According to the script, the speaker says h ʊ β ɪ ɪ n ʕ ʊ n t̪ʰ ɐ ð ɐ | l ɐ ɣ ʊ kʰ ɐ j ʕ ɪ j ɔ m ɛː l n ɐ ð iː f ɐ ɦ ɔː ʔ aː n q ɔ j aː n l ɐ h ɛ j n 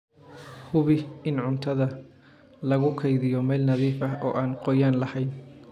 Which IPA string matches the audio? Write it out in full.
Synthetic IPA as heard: h ʊ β ɪ ɪ n ʕ ʊ n t̪ʰ ɐ ð ɐ | l ɐ ɣ ʊ kʰ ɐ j ð ɪ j ɔ m ɛː l n ɐ ð iː f ɐ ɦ ɔː ʔ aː n q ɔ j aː n l ɐ h ɛ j n